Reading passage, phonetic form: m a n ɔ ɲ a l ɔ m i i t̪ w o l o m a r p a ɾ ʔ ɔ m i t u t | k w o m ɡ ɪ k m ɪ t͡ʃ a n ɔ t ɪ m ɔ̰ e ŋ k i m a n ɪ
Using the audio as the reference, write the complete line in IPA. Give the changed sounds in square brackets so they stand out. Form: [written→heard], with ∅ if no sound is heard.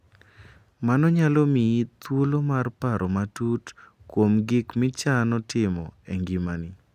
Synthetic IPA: m a n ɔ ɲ a l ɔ m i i t̪ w o l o m a r p a ɾ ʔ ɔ m [i→a] t u t | k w o m ɡ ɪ k m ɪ t͡ʃ a n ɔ t ɪ m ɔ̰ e ŋ [k→ɡ] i m a n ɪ